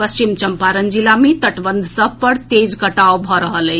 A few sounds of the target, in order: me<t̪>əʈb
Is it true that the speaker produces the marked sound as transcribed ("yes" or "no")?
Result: yes